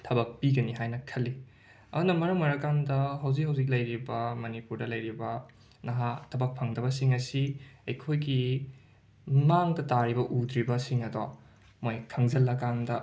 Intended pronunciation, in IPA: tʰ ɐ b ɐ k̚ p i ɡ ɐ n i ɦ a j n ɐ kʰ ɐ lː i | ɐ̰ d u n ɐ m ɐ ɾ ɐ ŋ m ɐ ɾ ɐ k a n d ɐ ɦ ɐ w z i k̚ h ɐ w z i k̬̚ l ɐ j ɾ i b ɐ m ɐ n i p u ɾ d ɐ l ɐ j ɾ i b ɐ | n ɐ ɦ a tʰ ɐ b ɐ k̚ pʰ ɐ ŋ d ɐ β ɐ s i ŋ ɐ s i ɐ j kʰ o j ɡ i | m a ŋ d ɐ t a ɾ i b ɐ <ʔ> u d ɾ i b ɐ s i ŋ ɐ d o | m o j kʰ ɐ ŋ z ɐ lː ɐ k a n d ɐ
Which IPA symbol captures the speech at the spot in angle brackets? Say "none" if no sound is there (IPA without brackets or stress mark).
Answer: ʔ